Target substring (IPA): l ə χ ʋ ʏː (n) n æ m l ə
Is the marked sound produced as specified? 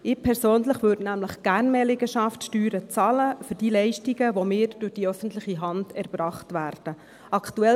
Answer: no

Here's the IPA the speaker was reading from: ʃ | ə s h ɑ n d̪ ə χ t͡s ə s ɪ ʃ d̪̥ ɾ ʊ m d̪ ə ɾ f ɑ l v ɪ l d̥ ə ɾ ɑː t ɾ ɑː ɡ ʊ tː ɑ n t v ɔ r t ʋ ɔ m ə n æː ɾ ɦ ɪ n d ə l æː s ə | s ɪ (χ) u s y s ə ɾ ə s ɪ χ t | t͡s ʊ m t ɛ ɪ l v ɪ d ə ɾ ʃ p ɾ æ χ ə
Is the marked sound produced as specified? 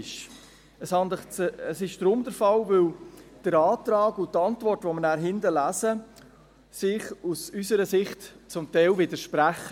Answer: yes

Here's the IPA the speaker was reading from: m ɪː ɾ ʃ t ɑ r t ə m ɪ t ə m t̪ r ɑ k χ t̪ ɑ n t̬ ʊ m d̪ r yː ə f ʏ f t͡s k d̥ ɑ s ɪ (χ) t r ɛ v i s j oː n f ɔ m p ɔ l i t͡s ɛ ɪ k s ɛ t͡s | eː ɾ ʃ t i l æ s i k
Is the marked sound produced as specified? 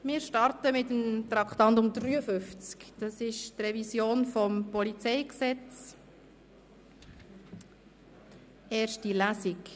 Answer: no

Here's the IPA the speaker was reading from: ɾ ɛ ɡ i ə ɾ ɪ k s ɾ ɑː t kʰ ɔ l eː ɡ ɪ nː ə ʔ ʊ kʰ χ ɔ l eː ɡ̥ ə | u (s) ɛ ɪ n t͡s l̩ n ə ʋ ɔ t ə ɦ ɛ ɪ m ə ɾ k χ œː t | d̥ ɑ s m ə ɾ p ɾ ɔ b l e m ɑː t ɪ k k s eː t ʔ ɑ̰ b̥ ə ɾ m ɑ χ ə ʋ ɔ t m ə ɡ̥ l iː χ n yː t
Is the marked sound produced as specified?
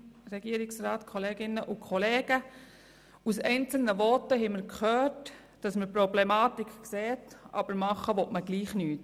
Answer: yes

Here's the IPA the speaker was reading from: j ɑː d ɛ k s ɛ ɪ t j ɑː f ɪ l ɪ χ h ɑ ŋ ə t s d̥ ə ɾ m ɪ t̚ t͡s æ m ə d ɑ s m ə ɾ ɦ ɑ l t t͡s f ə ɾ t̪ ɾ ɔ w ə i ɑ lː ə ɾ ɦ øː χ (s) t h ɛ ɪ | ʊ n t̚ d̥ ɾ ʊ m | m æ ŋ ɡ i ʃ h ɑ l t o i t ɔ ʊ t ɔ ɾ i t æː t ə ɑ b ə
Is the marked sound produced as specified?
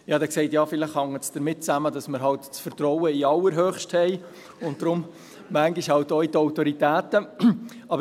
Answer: no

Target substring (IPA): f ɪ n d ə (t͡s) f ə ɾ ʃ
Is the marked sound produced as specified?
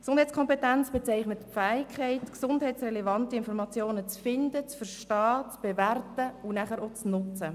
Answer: yes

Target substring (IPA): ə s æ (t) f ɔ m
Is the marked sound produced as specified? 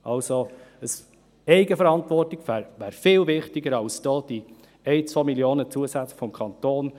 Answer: no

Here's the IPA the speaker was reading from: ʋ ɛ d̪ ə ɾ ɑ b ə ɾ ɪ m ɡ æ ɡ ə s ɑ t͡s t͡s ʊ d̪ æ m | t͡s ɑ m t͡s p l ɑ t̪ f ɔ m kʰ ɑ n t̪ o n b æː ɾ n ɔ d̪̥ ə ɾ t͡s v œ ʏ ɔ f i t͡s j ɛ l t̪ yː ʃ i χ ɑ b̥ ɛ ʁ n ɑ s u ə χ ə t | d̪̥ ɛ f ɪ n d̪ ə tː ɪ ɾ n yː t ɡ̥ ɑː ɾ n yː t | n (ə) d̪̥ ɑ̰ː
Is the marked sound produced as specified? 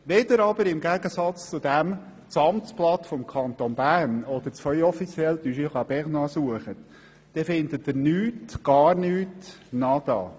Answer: no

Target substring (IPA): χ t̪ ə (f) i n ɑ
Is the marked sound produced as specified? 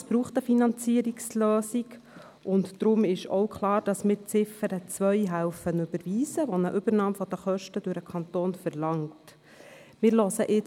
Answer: yes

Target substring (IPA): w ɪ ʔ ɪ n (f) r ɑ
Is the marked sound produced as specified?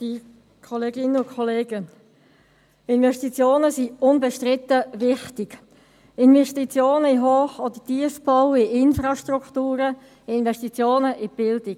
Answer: yes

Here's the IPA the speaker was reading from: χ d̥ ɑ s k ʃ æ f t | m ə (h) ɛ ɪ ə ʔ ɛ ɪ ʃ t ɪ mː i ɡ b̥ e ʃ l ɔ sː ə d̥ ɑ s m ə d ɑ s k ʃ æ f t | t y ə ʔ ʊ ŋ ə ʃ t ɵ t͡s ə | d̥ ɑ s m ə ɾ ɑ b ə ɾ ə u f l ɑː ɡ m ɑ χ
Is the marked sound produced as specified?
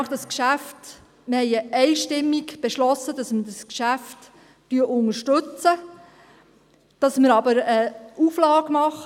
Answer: yes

